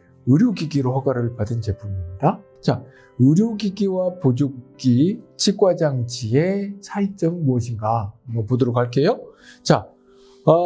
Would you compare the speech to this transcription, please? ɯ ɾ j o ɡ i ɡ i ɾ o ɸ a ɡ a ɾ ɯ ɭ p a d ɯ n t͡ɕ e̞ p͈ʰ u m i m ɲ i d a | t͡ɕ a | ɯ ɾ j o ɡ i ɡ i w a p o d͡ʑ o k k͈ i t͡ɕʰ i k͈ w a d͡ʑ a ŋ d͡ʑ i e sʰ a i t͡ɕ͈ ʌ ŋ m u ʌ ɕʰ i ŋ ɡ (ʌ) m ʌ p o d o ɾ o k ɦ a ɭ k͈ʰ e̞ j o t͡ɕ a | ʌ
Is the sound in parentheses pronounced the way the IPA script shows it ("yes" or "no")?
no